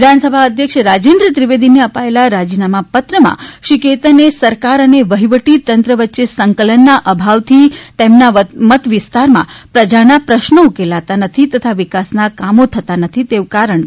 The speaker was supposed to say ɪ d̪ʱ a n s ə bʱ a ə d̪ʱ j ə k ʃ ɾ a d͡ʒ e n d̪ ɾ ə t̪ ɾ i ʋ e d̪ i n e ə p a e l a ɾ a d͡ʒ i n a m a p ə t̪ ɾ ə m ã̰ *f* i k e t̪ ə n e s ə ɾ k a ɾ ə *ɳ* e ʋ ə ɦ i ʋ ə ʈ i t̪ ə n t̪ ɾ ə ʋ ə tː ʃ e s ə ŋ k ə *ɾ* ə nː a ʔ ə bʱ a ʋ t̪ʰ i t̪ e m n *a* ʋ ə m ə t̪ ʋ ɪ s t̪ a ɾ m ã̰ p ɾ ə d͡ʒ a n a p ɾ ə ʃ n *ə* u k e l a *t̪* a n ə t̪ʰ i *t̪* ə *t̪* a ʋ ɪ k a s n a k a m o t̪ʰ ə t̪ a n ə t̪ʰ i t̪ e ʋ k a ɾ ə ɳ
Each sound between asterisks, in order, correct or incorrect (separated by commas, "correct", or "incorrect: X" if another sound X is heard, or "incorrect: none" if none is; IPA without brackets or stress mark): incorrect: ʃ, incorrect: n, incorrect: l, correct, correct, correct, correct, incorrect: t̪ʰ